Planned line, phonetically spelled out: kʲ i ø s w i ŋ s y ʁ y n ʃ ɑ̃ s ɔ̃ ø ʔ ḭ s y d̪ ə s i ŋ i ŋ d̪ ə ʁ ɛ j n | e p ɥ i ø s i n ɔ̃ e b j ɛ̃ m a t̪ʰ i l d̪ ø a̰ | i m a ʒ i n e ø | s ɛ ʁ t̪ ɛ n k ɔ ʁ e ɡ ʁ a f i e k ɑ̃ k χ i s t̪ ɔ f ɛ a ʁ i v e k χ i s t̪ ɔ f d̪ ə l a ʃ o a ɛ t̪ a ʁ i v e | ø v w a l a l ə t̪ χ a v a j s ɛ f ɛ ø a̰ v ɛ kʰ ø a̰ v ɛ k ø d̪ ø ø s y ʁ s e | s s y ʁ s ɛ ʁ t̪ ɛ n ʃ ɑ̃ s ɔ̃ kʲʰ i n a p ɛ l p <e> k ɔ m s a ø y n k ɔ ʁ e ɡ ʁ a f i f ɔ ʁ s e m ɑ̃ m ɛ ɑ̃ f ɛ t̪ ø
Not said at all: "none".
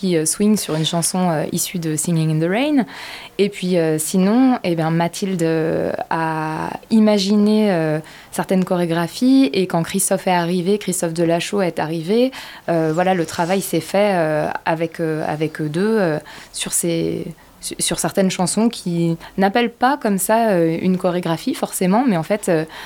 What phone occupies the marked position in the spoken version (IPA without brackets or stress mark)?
a